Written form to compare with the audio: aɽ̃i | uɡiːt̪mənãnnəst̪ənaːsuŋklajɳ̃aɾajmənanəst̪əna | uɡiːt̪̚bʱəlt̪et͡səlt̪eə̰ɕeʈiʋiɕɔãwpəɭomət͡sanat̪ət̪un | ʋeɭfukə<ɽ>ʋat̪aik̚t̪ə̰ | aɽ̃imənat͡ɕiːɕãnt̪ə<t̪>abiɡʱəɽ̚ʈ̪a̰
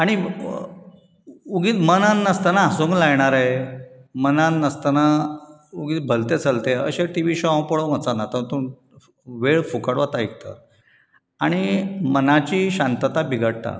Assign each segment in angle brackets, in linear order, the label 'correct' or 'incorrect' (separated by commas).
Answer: correct, correct